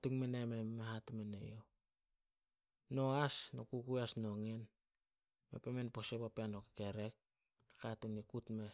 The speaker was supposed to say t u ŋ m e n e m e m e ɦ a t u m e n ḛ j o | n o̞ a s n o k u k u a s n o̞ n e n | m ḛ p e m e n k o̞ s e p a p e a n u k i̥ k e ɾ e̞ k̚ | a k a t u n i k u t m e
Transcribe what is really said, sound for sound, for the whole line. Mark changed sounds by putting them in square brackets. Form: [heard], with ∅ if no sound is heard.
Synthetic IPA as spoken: t u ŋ m e n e m e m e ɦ a t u m e n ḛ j o | n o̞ a s n o k u k u a s n o̞ [ŋ] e n | m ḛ p e m e n [p] o̞ s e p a p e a n [o] k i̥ k e ɾ e̞ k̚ | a k a t u n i k u t m e